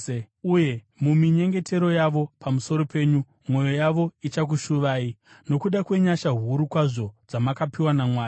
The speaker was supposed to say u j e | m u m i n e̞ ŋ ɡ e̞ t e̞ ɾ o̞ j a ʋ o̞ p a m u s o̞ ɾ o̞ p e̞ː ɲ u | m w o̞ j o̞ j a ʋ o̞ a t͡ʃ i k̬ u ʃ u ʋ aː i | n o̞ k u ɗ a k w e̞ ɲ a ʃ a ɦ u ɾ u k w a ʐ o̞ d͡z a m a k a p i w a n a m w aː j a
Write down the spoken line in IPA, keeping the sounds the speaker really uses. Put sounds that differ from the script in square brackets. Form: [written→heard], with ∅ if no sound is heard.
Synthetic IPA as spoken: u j e | m u m i [n→ɲ] e̞ ŋ ɡ e̞ t e̞ ɾ o̞ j a ʋ o̞ p a m u s o̞ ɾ o̞ p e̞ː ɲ u | m w o̞ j o̞ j a ʋ o̞ [a→i] t͡ʃ [i→a] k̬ u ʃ u ʋ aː i | n o̞ k u ɗ a k w e̞ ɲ a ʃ a ɦ u ɾ u k w a ʐ o̞ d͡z a m a k a p i w a n a m w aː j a